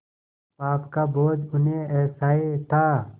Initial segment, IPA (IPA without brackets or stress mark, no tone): p